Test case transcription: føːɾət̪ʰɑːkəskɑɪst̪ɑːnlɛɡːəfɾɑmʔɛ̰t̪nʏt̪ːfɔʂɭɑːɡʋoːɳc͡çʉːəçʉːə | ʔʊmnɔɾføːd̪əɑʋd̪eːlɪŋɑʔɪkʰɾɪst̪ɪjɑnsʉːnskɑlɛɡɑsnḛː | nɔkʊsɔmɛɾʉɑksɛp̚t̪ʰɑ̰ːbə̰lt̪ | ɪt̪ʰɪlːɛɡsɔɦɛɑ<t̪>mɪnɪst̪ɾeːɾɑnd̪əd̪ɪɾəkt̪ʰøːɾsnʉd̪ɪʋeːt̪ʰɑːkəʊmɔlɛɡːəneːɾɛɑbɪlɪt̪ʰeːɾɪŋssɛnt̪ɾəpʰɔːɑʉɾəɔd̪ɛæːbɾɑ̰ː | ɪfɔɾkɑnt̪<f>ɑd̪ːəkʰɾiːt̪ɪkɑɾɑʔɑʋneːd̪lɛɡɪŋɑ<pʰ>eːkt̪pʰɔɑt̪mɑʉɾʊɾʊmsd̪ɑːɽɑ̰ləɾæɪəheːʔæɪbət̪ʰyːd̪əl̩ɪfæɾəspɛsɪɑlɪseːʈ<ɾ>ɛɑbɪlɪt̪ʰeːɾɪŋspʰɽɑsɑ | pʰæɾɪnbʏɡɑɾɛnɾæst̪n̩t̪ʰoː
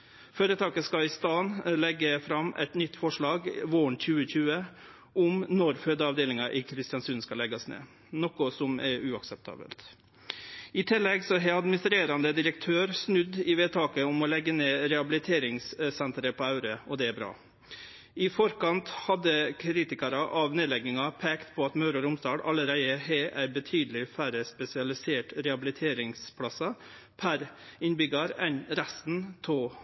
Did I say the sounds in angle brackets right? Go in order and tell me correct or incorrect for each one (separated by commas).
incorrect, incorrect, correct, correct